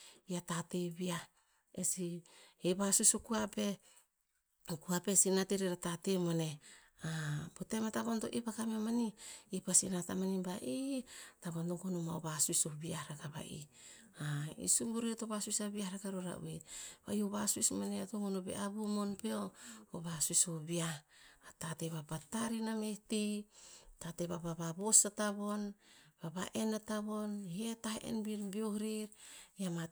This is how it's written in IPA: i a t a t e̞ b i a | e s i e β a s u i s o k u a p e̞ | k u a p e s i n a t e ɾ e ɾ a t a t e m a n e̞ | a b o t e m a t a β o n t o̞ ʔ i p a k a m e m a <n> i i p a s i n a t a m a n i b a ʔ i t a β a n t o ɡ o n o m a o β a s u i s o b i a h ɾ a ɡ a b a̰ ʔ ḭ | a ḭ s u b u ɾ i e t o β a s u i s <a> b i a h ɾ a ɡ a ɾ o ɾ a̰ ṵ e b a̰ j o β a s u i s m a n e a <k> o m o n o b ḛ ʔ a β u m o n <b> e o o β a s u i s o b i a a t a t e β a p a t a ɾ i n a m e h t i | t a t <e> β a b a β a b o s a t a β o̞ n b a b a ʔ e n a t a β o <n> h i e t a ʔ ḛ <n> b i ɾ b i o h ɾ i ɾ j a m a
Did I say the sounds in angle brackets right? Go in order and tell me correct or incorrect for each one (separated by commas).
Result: correct, correct, incorrect, incorrect, correct, correct, correct